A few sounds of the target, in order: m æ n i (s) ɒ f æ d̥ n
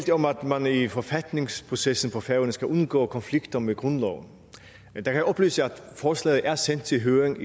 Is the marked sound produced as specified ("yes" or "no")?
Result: no